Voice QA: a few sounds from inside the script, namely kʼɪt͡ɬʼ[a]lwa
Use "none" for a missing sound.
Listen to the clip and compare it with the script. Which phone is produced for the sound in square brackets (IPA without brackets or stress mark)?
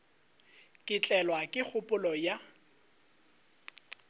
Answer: ɛ